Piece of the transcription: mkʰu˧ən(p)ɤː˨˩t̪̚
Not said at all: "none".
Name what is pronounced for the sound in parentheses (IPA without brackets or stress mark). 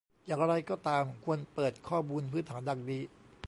p